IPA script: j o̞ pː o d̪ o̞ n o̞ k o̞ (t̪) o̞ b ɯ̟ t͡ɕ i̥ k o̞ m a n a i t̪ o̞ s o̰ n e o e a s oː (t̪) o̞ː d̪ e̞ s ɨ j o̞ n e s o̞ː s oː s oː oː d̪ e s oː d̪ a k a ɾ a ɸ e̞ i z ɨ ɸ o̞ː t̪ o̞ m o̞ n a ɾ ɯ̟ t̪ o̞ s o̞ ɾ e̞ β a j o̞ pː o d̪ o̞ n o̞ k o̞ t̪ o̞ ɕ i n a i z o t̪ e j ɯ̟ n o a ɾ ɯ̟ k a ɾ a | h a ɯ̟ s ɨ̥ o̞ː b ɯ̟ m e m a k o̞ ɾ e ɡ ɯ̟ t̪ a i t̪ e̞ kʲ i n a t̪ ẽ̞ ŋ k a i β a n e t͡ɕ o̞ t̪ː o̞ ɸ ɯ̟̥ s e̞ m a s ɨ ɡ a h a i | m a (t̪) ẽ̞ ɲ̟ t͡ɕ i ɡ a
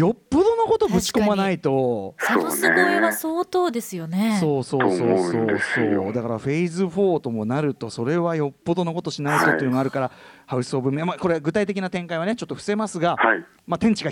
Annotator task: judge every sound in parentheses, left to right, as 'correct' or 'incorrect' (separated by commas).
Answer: correct, correct, correct